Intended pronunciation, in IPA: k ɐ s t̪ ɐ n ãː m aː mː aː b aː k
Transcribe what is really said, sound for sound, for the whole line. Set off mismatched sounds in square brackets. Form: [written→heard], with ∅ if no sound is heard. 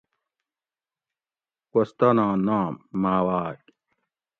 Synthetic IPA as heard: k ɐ s t̪ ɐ n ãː [m→n] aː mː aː [b→w] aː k